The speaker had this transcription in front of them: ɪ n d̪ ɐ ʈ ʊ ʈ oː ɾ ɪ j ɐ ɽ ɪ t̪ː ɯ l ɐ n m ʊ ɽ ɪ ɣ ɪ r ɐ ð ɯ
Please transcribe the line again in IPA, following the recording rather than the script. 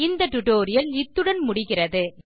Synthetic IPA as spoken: ɪ n d̪ ɐ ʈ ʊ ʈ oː ɾ ɪ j ɐ l ɪ t̪ː ɯ ɽ ɐ n m ʊ ɽ ɪ ɣ ɪ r ɐ ð ɯ

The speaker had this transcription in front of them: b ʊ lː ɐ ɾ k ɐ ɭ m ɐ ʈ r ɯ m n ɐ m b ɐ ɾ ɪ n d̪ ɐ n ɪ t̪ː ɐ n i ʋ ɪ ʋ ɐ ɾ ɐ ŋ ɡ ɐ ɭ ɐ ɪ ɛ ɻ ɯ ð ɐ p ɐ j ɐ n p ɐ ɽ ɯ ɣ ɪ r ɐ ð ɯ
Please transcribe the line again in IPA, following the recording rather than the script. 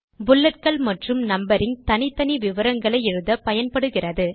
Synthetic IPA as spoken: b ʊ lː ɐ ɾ k ɐ ɭ m ɐ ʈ r ɯ m n ɐ m b ɐ ɾ ɪ n t̪ ɐ n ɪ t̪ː ɐ n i ʋ ɪ ʋ ɐ ɾ ɐ ŋ ɡ ɐ ɭ ɐ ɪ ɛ ɻ ɯ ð ɐ p ɐ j ɐ n p ɐ ɽ ɯ ɣ ɪ r ɐ ð ɯ

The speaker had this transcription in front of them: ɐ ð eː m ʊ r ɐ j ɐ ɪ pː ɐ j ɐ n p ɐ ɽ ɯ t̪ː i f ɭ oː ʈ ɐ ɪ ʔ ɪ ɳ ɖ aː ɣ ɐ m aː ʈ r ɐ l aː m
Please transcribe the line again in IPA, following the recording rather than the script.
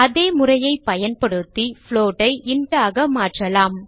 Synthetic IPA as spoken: ɐ ð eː m ʊ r ɐ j ɐ ɪ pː ɐ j ɐ n p ɐ ɽ ɯ t̪ː i f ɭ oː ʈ ɐ ɪ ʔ ɪ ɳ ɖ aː ɣ ɐ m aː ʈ r ɐ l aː m

